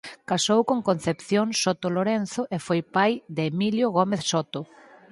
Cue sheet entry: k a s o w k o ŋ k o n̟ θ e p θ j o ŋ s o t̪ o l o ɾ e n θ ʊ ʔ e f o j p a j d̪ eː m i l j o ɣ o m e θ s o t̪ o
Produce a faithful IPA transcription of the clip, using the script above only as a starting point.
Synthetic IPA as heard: k a s o w k o ŋ k o n̟ θ e p θ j o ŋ s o t̪ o l o ɾ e n θ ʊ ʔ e f o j p a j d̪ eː m i l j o ɣ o m e θ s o t̪ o